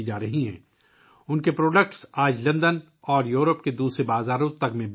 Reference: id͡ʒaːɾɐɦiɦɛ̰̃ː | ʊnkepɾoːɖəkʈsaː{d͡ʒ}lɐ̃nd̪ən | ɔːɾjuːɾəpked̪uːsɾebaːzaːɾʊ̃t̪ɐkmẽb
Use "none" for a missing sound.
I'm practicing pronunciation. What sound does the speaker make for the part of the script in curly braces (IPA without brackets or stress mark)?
d͡ʒ